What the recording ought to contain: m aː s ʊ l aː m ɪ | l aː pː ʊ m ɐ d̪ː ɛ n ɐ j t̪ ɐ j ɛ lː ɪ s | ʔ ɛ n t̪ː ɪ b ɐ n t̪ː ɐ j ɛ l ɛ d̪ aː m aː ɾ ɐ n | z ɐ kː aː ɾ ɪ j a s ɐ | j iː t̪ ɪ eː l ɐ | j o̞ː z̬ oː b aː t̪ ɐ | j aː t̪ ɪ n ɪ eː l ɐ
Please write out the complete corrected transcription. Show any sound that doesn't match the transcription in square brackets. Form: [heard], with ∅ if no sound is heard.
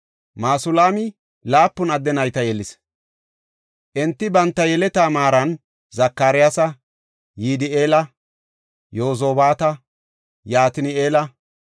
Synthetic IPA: m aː s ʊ l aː m ɪ | l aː pː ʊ [n] ɐ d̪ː ɛ n ɐ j t̪ ɐ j ɛ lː ɪ s | ʔ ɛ n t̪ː ɪ b ɐ n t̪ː ɐ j ɛ l ɛ [t̪] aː m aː ɾ ɐ n | z ɐ kː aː ɾ ɪ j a s ɐ | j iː [d̪] ɪ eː l ɐ | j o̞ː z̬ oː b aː t̪ ɐ | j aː t̪ ɪ n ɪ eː l ɐ